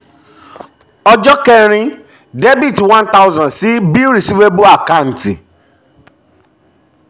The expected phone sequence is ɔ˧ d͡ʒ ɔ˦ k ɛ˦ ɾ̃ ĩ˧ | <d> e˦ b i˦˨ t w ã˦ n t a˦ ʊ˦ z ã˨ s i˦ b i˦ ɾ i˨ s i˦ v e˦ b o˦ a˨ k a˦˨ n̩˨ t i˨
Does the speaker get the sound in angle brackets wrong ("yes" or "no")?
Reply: no